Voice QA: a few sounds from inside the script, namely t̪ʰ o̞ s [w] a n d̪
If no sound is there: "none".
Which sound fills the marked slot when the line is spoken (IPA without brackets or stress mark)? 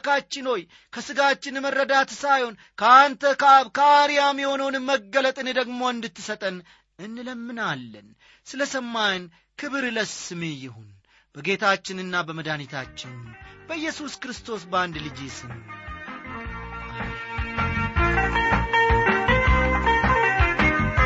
b